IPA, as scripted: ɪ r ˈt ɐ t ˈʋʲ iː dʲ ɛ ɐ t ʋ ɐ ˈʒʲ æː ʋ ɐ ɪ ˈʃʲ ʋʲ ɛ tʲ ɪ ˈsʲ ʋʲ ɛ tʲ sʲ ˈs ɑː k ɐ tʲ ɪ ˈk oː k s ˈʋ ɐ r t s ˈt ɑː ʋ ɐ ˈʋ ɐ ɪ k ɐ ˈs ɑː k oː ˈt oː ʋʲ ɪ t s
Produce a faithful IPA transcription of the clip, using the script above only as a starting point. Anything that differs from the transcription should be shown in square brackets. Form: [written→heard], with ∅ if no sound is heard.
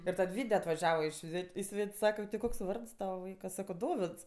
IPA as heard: ɪ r ˈt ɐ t ˈʋʲ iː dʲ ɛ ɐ t ʋ ɐ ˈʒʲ æː ʋ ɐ ɪ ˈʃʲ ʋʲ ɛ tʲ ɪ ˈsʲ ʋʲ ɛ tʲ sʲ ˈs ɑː k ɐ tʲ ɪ ˈk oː k s ˈʋ ɐ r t s ˈt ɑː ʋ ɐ ˈʋ ɐ ɪ k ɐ ˈs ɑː k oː [ˈt→ˈd] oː ʋʲ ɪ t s